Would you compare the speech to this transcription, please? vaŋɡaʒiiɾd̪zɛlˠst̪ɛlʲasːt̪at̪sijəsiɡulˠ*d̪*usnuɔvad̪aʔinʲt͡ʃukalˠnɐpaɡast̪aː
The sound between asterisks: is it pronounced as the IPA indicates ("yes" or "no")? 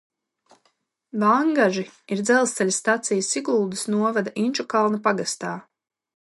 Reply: yes